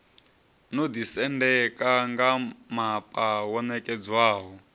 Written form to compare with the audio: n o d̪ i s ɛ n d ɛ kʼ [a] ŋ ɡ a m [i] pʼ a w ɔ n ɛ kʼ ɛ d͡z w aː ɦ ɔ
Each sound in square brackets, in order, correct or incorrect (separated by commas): correct, incorrect